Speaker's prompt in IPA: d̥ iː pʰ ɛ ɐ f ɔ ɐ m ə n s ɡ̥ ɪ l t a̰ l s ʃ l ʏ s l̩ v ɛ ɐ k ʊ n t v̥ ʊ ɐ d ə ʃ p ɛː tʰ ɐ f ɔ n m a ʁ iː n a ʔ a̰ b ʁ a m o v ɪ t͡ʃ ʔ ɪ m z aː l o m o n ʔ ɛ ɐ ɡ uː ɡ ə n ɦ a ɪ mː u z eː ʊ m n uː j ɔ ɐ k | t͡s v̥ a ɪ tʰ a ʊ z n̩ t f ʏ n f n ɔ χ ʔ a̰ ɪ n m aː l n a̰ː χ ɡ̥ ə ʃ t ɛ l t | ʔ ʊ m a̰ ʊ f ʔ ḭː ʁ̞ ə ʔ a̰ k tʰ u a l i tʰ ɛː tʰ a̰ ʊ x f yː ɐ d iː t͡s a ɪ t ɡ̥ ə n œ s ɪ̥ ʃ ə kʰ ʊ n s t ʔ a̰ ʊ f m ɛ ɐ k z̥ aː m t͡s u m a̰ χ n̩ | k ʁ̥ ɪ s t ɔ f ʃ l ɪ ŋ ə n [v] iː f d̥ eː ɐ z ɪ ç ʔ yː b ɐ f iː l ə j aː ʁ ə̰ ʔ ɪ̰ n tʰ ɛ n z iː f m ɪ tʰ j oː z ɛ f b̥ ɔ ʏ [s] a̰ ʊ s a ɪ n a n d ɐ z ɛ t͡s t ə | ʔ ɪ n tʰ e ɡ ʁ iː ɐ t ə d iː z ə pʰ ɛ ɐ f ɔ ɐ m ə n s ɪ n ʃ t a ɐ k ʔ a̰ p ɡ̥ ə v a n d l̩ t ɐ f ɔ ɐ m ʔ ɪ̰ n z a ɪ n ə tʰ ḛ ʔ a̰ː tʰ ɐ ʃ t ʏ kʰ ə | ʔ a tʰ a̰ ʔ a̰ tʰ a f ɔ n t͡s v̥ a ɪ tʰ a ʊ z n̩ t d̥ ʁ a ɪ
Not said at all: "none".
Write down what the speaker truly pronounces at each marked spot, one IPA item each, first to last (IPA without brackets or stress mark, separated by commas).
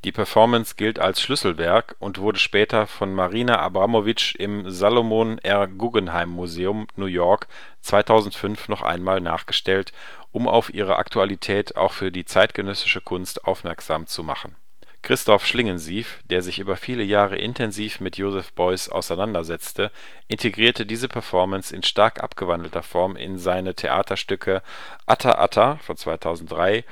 z, s